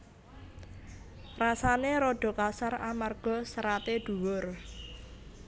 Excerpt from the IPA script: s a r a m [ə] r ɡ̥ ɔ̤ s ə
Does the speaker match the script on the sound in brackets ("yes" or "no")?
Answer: no